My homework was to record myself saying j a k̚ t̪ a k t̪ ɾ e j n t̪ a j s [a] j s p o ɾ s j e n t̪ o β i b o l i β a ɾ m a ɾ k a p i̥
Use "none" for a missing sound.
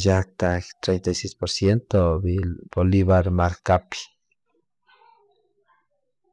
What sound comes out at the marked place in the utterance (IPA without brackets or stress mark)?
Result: e